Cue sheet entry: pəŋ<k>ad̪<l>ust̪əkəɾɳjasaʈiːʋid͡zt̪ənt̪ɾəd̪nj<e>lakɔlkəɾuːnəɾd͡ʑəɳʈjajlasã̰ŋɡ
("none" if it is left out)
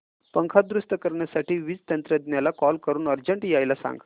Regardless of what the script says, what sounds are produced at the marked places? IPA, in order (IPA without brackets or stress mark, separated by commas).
kʰ, ɾ, a